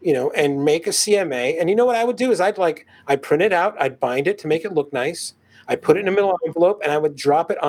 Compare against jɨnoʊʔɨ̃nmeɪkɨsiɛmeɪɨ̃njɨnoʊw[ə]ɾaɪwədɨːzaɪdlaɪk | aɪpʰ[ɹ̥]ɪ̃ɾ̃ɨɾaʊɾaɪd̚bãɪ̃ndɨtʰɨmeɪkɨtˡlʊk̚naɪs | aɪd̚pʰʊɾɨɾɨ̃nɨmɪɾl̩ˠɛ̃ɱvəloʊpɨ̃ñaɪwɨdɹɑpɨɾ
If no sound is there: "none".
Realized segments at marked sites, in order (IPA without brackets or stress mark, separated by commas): ʌ, ɹ̥